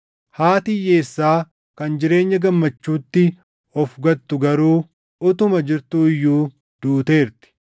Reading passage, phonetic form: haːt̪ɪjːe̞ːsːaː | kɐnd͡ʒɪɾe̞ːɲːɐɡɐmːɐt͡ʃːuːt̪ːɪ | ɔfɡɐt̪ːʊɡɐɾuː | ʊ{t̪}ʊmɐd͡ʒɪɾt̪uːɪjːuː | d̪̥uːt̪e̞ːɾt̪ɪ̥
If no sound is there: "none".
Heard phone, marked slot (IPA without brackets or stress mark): t̪